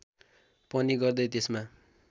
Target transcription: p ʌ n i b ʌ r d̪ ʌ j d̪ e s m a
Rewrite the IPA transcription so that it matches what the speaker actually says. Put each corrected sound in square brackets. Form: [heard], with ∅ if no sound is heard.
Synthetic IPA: p ʌ n i [ɡ] ʌ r d̪ ʌ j [t̪] e s m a